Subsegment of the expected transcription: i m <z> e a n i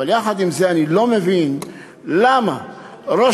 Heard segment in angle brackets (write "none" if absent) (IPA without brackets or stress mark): z